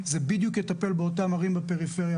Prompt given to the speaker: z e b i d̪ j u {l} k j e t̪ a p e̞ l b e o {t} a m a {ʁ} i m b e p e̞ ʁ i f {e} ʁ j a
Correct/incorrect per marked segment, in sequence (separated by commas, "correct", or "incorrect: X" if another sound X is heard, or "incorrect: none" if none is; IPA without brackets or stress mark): incorrect: none, correct, correct, correct